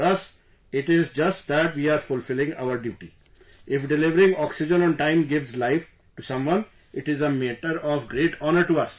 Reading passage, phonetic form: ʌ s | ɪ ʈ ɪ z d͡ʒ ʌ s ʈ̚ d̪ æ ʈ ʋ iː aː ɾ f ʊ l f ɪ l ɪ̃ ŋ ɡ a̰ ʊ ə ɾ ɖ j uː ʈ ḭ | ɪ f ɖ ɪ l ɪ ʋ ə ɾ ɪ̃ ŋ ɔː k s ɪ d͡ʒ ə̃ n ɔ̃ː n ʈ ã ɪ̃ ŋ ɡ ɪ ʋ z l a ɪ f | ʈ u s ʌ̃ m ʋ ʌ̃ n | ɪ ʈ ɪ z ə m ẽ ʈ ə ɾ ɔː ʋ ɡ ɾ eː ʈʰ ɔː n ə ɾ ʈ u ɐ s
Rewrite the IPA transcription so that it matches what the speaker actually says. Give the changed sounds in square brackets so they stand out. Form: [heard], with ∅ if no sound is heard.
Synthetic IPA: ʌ s | ɪ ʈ ɪ z d͡ʒ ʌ s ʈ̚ d̪ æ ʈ ʋ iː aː ɾ f ʊ l f ɪ l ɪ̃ ŋ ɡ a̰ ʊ ə ɾ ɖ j uː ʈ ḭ | ɪ f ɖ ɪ l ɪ ʋ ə ɾ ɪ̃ ŋ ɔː k s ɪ d͡ʒ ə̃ n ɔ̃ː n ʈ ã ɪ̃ [m] ɡ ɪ ʋ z l a ɪ f | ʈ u s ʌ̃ m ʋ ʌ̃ n | ɪ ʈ ɪ z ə m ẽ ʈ ə ɾ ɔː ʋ ɡ ɾ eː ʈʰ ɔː n ə ɾ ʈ u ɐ s